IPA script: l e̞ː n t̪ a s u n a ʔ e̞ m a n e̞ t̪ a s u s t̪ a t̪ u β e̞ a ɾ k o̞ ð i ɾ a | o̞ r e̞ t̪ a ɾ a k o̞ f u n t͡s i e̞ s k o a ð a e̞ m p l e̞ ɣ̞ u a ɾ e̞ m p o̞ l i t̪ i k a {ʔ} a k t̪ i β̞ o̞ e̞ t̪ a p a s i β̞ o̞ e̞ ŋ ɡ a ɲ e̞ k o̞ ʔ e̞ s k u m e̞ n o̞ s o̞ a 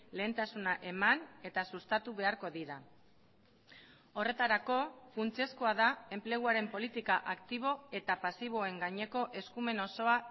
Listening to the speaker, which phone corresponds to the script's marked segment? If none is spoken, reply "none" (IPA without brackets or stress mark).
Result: ʔ